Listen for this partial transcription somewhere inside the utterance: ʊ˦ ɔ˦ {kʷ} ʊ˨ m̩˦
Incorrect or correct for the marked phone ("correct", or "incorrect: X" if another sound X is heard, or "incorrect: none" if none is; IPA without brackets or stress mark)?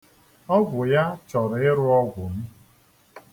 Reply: incorrect: ɡʷ